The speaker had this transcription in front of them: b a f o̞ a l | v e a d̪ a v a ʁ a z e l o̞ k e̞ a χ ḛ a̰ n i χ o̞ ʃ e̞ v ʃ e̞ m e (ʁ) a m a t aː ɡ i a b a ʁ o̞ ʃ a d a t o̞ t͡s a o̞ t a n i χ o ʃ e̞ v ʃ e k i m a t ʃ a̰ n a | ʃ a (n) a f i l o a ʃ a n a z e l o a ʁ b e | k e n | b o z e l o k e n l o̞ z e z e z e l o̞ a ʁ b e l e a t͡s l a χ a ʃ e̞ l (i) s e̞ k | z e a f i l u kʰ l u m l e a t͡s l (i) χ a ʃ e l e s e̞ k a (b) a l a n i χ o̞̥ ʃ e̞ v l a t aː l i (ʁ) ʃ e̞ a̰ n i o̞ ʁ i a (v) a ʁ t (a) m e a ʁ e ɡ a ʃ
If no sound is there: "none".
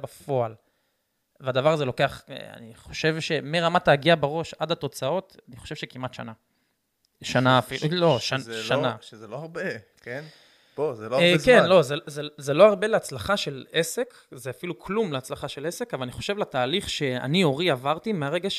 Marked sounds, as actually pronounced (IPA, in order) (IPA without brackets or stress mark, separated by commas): ʁ, n, e, a, v, χ, v, i